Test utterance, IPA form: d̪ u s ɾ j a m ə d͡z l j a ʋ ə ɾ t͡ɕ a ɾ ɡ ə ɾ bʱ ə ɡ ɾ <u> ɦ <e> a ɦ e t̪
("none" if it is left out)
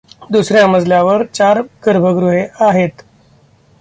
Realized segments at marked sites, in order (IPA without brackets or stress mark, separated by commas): u, e